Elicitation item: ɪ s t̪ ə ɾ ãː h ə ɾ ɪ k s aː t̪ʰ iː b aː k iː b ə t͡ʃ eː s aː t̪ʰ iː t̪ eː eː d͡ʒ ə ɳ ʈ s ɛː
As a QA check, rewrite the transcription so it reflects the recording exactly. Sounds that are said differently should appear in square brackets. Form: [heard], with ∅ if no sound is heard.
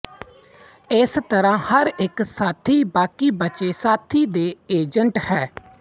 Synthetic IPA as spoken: ɪ s t̪ ə ɾ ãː h ə ɾ ɪ k s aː t̪ʰ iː b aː k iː b ə t͡ʃ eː s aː t̪ʰ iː [d̪] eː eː d͡ʒ ə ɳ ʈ [h] ɛː